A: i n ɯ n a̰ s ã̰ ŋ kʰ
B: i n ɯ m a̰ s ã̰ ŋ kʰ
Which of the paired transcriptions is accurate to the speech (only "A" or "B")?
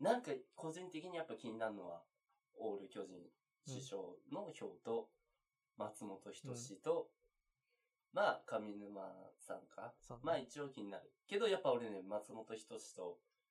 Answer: B